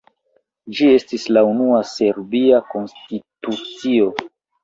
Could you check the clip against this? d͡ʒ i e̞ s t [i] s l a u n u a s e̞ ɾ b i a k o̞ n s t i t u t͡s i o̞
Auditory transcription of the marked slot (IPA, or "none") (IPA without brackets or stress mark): i